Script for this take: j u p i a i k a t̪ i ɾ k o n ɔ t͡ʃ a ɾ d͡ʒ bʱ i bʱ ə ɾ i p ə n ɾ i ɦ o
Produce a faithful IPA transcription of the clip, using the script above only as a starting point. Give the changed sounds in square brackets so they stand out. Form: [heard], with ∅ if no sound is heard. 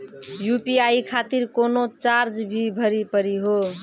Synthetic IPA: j u p i a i [kʰ] a t̪ i ɾ k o n [o] t͡ʃ a ɾ d͡ʒ bʱ i bʱ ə ɾ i p ə [∅] ɾ i ɦ o